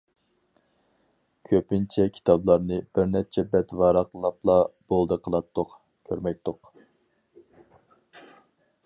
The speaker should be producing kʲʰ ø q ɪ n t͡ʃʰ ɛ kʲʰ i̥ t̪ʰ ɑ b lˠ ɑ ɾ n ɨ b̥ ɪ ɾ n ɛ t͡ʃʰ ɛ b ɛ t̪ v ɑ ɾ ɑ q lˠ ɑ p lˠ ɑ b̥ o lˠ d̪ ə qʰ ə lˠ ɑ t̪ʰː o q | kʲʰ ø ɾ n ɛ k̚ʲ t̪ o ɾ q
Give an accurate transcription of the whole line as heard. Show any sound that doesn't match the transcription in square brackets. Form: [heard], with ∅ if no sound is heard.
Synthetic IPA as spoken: kʲʰ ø [p] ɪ n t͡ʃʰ ɛ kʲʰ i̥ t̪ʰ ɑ b lˠ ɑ ɾ n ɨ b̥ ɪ ɾ n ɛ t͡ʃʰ ɛ b ɛ t̪ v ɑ ɾ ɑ q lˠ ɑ p lˠ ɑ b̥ o lˠ d̪ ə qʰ ə lˠ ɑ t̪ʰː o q | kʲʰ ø ɾ [m] ɛ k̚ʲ t̪ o [∅] q

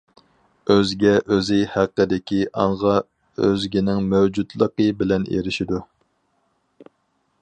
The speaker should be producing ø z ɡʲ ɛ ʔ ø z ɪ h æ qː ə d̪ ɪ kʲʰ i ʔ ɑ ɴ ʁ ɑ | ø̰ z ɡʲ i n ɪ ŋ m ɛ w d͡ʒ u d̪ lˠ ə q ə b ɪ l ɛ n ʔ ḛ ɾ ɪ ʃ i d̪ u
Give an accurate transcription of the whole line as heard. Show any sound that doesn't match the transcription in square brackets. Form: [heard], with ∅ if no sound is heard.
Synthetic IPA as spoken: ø z ɡʲ ɛ ʔ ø z ɪ h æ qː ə d̪ ɪ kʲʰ i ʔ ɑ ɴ ʁ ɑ | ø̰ z ɡʲ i n ɪ ŋ m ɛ w d͡ʒ u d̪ lˠ ə q ə b ɪ l ɛ n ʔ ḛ ɾ ɪ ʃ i d̪ u

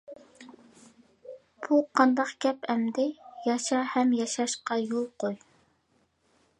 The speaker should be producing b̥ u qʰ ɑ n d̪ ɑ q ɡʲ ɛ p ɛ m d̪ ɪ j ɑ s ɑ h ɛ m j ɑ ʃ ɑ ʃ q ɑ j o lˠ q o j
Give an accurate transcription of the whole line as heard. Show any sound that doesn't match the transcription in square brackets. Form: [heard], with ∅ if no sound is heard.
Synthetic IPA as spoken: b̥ u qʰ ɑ n d̪ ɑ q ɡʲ ɛ p ɛ m d̪ ɪ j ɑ [ʃ] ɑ h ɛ m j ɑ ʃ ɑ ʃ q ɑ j o lˠ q o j

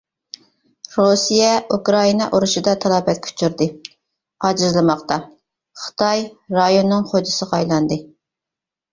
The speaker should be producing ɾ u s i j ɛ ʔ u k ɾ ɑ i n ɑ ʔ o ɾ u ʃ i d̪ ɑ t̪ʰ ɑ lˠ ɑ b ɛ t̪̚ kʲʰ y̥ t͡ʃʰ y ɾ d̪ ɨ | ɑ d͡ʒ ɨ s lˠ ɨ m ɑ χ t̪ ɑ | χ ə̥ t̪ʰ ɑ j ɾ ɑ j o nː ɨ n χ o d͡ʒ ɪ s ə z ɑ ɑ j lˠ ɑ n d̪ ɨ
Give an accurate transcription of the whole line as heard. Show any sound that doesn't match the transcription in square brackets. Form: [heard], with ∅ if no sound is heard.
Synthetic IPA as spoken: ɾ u s i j ɛ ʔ u k ɾ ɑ i n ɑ ʔ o ɾ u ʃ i d̪ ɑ t̪ʰ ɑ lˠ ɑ b ɛ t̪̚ kʲʰ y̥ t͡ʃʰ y ɾ d̪ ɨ | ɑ d͡ʒ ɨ [z] lˠ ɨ m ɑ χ t̪ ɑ | χ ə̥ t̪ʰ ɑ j ɾ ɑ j o nː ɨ [ŋ] χ o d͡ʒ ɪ s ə [ʁ] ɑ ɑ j lˠ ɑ n d̪ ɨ

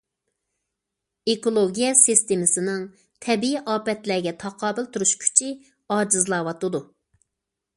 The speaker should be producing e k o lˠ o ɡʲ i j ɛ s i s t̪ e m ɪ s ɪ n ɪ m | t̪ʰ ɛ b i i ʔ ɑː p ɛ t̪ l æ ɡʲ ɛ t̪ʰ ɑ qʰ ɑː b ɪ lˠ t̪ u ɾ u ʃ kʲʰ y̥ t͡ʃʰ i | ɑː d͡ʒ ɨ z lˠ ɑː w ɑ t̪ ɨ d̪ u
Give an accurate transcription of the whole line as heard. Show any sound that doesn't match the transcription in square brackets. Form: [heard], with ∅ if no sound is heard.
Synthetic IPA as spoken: e k o lˠ o ɡʲ i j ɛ s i s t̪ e m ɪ s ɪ n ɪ [ŋ] | t̪ʰ ɛ b i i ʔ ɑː p ɛ t̪ l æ ɡʲ ɛ t̪ʰ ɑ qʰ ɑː b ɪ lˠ t̪ u ɾ u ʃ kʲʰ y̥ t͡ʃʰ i | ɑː d͡ʒ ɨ z lˠ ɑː w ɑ t̪ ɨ d̪ u

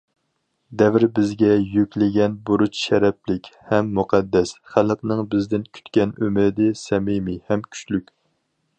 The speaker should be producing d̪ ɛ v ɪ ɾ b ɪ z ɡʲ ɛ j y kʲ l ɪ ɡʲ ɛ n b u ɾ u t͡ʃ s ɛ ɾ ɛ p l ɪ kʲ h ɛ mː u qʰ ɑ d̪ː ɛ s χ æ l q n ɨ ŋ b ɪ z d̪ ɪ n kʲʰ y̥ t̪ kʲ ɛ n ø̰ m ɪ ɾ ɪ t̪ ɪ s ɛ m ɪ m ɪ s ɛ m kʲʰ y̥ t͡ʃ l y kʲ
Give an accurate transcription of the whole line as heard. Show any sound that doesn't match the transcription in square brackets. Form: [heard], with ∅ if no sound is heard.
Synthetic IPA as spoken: d̪ ɛ v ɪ ɾ b ɪ z ɡʲ ɛ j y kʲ l ɪ ɡʲ ɛ n b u ɾ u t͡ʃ [ʃ] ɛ ɾ ɛ p l ɪ kʲ h ɛ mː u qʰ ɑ d̪ː ɛ s χ æ l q n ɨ ŋ b ɪ z d̪ ɪ n kʲʰ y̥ t̪ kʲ ɛ n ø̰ m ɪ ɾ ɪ [d̪] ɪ s ɛ m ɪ m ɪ [h] ɛ m kʲʰ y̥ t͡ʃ l y kʲ

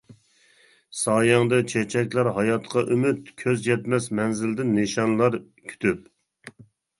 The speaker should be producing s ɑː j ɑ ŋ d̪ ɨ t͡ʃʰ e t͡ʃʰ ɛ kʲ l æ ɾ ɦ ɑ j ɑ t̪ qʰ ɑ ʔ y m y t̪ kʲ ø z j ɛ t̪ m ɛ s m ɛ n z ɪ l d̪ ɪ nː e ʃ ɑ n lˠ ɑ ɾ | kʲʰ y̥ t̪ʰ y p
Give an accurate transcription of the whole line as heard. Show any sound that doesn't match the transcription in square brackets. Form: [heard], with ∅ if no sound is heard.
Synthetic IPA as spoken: s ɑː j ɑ ŋ d̪ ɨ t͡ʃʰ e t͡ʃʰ ɛ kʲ l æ ɾ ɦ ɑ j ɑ t̪ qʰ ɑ ʔ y m y t̪ [kʲʰ] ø z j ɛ t̪ m ɛ s m ɛ n z ɪ l d̪ ɪ nː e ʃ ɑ n lˠ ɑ ɾ | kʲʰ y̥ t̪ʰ y p

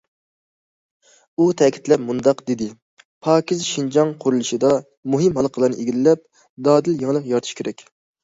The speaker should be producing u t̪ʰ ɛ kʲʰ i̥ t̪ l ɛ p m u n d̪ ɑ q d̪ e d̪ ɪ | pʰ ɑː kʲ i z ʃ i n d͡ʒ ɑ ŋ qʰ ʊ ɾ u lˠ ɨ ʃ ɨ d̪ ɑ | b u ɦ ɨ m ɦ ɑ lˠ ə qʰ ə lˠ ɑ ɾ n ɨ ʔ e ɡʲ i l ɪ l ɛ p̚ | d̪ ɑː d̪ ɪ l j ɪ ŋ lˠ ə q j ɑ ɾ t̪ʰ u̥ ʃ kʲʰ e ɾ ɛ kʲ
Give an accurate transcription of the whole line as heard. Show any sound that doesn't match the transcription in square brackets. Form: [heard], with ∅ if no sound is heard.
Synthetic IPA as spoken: u t̪ʰ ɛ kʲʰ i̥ t̪ l ɛ p m u n d̪ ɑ q d̪ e d̪ ɪ | pʰ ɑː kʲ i z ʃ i n d͡ʒ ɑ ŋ qʰ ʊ ɾ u lˠ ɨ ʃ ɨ d̪ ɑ | [m] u ɦ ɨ m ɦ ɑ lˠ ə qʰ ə lˠ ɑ ɾ n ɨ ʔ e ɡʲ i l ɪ l ɛ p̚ | d̪ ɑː d̪ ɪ l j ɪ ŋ lˠ ə q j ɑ ɾ t̪ʰ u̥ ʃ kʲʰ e ɾ ɛ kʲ

